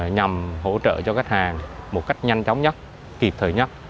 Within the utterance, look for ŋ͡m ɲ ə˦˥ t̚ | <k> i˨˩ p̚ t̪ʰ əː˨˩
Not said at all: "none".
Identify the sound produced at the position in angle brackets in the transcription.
k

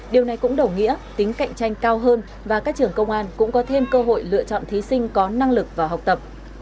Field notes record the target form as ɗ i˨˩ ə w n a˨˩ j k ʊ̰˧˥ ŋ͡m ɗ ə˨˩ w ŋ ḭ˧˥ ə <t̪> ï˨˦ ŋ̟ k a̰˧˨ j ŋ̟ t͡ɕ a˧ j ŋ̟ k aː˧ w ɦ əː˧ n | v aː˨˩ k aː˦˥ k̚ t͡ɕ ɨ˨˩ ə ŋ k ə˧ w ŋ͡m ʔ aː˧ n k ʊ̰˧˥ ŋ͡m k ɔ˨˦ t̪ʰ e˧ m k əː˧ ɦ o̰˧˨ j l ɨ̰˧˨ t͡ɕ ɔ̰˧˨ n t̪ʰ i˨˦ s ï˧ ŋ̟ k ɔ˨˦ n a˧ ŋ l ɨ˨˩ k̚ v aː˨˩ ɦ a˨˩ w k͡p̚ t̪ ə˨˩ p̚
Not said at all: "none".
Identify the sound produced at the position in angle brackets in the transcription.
t̪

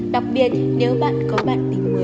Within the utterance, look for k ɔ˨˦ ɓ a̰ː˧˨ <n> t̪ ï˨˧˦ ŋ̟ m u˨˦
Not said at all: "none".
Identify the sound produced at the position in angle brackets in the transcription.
n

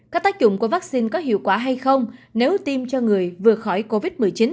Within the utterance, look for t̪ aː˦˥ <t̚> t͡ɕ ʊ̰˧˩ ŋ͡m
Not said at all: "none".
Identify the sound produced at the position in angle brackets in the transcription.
k̚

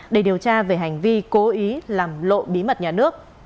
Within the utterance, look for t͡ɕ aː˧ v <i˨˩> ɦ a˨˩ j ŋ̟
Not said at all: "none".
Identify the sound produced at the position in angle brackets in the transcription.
e˨˩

